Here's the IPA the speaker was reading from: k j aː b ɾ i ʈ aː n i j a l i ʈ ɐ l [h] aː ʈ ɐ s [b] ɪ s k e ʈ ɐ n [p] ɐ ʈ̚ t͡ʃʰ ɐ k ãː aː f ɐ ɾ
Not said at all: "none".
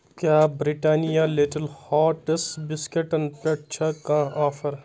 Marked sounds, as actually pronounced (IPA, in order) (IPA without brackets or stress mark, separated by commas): h, b, p